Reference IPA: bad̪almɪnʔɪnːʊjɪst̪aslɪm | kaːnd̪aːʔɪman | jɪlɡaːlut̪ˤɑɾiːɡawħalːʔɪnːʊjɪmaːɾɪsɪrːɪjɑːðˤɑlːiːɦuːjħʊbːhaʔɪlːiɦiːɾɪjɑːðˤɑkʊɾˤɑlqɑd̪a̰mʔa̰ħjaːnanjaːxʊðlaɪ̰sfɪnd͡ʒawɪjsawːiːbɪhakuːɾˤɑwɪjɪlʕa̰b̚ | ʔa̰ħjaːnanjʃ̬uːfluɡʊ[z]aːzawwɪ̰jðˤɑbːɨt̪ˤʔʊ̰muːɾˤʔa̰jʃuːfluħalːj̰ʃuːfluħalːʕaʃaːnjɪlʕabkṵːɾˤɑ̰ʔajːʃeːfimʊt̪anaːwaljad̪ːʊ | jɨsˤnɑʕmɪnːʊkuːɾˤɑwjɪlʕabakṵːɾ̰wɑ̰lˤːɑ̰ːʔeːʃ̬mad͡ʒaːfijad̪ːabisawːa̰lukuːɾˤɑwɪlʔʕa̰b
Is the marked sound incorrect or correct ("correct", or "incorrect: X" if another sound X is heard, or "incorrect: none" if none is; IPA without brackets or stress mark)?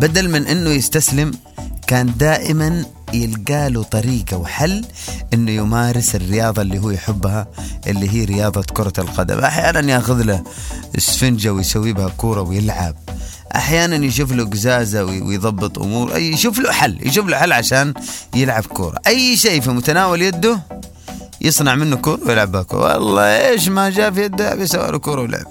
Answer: correct